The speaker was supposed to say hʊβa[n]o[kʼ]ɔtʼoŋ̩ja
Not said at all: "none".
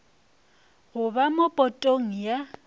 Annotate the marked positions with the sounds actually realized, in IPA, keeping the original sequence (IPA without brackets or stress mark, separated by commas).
m, pʼ